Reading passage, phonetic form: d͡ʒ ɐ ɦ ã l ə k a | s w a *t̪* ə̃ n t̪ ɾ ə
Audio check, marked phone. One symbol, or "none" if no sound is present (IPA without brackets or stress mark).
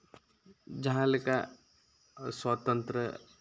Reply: t̪